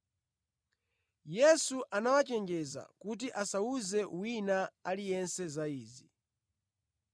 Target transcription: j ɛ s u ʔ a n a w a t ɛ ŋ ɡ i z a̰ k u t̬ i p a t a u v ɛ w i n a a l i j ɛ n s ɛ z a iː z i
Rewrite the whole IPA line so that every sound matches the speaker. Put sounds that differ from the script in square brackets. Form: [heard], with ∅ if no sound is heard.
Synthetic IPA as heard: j ɛ s u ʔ a n a w a [t͡ʃ] ɛ ŋ ɡ [ɛ] z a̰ k u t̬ i [ʔ] a [s] a u [z] ɛ w i n a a l i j ɛ n s ɛ z a iː z i